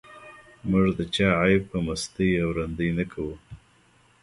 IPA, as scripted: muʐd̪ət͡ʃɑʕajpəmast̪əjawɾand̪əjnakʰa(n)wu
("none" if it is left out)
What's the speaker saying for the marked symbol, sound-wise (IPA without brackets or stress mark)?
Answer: none